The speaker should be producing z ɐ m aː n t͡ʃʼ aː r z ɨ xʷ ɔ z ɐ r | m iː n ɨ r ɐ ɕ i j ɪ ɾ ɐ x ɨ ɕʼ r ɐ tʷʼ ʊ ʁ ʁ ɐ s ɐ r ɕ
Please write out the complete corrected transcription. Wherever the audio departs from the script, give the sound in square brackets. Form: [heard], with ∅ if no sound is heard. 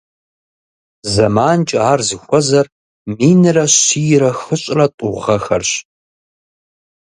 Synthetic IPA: z ɐ m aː n t͡ʃʼ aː r z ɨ xʷ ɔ z ɐ r | m iː n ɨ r ɐ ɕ i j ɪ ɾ ɐ x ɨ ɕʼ r ɐ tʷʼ ʊ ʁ ʁ ɐ [x] ɐ r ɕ